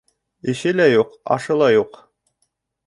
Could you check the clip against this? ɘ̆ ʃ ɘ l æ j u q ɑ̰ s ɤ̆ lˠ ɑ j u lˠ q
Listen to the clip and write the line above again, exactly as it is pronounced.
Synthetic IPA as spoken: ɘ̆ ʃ ɘ l æ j u q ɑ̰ ʃ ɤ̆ lˠ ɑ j u q